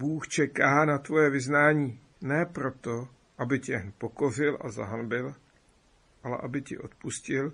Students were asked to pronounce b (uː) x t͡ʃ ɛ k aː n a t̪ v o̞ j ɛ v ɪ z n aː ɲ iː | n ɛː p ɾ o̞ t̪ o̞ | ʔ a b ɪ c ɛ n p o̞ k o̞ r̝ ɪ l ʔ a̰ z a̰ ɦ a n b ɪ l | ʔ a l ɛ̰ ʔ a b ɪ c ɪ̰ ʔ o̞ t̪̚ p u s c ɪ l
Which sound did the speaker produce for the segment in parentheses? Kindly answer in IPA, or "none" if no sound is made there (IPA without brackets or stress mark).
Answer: uː